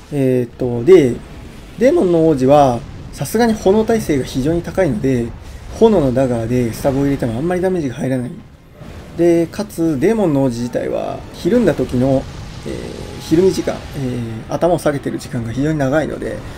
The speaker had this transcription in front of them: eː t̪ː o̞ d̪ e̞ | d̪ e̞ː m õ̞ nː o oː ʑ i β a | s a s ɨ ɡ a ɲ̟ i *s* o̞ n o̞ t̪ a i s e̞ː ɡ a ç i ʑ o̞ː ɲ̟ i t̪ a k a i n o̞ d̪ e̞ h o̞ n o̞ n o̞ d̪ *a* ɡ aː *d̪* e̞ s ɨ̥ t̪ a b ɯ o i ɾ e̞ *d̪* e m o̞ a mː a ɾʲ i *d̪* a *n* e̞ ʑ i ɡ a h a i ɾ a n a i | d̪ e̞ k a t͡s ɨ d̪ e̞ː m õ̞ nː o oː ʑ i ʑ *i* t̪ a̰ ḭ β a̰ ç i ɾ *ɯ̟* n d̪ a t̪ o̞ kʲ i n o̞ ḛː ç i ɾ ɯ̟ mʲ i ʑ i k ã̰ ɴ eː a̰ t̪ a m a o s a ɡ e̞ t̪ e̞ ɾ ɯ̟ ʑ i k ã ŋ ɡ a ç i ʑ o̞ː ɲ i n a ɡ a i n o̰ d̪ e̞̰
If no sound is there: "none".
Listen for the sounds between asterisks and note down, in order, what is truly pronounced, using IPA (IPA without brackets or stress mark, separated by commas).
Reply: h, a, d̪, t̪, d̪, m, i, ɯ̟̃